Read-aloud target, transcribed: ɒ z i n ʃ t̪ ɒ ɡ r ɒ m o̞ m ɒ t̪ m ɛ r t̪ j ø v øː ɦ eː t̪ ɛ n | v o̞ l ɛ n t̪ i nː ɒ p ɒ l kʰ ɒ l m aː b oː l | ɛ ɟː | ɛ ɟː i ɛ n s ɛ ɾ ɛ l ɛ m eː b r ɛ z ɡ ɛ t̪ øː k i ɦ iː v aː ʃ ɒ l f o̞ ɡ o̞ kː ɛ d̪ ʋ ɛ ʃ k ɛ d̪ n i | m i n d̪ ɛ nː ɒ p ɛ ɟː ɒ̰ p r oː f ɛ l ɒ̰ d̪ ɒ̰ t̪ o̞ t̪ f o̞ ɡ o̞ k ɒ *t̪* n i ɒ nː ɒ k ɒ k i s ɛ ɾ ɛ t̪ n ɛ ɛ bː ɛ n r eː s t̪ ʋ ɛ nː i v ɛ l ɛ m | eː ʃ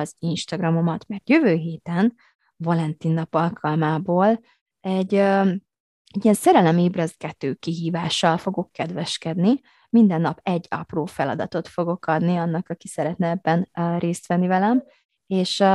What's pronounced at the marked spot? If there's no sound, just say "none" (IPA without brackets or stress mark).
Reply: d̪